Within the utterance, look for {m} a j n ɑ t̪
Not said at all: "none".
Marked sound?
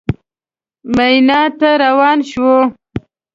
m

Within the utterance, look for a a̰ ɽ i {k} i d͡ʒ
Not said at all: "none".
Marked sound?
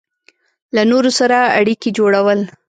k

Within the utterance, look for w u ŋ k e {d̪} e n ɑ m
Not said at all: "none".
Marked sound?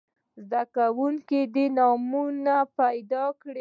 d̪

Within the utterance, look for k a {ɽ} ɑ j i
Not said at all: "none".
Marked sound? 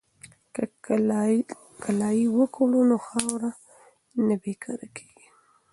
l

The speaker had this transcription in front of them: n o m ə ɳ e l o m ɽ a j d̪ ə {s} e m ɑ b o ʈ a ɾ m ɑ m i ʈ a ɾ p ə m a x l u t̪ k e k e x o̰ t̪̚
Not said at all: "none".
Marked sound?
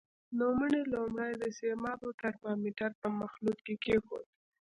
s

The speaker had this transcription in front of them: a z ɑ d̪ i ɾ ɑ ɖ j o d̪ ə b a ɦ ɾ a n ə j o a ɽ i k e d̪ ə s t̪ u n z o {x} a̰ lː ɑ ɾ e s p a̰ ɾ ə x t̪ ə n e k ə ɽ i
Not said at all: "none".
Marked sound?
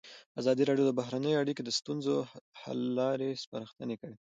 h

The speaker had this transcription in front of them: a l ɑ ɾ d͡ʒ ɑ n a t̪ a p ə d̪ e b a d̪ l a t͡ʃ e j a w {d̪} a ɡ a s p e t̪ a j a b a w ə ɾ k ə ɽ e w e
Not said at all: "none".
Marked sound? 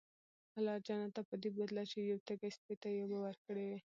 t̪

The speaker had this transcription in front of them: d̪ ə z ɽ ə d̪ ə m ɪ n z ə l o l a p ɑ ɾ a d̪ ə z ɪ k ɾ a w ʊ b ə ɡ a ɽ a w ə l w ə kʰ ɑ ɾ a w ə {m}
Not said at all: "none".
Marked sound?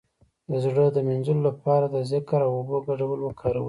none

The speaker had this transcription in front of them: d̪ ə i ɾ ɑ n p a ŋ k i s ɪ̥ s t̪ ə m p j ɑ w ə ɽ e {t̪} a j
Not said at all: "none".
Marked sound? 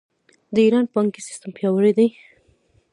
d̪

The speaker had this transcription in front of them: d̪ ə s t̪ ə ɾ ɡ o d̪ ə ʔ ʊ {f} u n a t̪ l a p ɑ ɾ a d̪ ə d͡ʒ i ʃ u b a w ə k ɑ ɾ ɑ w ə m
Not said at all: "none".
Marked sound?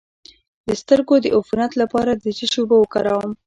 f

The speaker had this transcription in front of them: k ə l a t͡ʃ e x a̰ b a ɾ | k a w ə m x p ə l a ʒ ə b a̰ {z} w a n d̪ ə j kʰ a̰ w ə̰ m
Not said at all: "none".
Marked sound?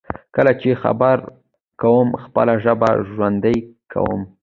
ʒ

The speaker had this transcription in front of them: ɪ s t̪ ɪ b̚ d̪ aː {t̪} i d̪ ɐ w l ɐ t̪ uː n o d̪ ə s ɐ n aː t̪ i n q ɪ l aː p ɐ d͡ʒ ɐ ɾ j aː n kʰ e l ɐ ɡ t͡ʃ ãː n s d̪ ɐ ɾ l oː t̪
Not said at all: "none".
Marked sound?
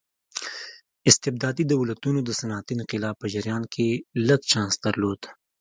d̪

